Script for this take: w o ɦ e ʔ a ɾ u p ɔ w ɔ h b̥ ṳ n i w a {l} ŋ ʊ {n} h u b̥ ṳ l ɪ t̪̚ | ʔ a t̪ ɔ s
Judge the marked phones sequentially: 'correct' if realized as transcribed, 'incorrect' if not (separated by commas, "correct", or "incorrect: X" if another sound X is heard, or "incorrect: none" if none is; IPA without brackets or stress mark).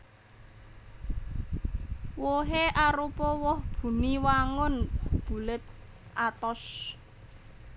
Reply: incorrect: none, correct